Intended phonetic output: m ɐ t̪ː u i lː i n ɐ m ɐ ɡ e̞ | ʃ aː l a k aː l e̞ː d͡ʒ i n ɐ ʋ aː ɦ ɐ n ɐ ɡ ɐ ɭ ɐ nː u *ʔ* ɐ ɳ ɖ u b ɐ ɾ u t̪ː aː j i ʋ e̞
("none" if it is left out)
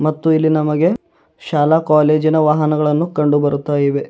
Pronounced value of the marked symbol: k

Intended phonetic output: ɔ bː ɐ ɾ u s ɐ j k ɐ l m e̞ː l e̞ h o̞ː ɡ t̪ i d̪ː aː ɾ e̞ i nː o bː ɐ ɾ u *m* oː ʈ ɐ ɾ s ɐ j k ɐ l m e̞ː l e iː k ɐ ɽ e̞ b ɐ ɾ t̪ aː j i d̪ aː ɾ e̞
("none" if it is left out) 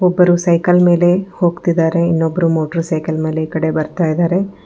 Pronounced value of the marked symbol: m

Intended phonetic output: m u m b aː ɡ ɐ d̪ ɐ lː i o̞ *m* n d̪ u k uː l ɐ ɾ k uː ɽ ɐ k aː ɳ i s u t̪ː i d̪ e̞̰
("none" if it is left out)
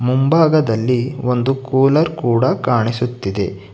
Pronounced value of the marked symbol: none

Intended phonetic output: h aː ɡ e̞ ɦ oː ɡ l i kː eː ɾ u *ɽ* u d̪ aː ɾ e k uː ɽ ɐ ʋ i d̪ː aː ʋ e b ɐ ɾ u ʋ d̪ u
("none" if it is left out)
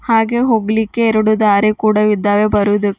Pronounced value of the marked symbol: ɽ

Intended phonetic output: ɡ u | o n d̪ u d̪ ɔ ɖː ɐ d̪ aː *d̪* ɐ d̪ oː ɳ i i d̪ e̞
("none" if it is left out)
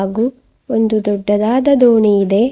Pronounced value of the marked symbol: d̪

